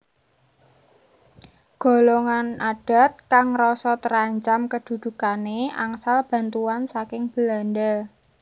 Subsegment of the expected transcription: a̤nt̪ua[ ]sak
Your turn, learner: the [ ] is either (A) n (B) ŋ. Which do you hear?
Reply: A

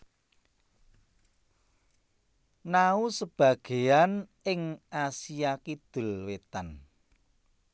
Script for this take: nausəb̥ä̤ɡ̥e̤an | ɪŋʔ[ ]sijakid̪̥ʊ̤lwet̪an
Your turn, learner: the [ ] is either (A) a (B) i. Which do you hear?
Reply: A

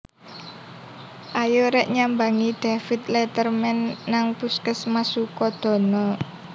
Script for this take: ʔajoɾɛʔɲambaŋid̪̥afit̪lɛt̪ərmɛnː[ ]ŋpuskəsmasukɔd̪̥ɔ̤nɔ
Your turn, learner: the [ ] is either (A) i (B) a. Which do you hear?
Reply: B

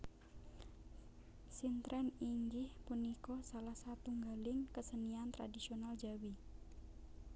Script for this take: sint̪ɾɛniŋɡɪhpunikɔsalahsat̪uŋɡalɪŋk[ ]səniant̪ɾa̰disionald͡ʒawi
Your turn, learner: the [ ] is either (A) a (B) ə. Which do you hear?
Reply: B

